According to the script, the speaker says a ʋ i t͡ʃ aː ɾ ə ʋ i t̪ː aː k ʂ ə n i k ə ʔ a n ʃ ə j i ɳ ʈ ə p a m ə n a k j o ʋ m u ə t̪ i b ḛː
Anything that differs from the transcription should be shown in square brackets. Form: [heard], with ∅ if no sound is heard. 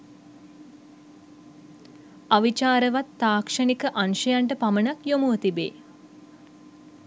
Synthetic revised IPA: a ʋ i t͡ʃ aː ɾ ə ʋ [a] t̪ː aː k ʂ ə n i k ə ʔ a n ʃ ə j [a] ɳ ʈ ə p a m ə n a k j o [∅] m u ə t̪ i b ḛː